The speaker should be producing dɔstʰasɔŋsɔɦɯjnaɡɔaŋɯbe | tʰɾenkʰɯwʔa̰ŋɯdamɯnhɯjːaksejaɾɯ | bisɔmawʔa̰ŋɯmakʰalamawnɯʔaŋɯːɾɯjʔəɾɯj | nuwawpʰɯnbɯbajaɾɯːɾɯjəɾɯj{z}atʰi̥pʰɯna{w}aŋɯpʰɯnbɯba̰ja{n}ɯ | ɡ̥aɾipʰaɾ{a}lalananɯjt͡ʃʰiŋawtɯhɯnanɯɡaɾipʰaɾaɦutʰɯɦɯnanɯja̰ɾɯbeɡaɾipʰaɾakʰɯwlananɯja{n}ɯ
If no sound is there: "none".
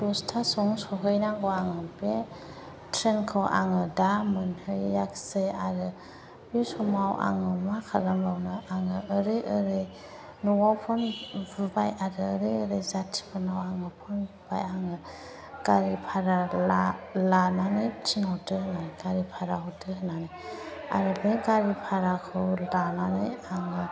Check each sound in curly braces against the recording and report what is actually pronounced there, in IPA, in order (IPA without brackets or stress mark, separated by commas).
z, w, ŋ, a, ŋ